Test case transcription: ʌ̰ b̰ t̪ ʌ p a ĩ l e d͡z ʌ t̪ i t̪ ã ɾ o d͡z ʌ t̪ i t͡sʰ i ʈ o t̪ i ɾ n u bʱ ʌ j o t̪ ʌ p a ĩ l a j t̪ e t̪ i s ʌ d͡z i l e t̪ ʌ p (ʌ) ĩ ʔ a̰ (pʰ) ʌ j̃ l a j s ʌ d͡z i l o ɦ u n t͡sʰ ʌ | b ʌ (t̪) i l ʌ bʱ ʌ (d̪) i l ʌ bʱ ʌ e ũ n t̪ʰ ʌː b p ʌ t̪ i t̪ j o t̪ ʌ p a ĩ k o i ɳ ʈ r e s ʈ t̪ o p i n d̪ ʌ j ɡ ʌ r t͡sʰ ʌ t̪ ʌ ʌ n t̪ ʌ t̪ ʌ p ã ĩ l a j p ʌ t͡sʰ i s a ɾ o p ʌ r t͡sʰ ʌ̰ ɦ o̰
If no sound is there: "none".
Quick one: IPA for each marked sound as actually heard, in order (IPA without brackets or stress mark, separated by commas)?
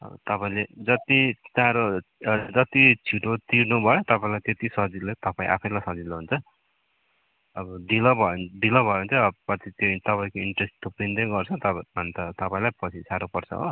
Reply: a, pʰ, d̪, d̪